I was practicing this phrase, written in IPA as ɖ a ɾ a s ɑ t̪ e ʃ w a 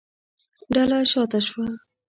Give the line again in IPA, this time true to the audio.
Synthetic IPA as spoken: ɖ a l a ʃ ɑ t̪ a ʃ w a